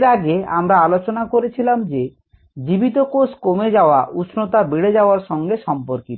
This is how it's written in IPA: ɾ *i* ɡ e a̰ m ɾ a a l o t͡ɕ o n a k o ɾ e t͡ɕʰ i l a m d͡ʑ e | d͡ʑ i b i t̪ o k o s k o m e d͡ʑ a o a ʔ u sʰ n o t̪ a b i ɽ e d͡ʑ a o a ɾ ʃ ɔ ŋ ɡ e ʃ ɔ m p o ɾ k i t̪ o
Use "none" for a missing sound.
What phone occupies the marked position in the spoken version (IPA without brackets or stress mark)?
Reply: a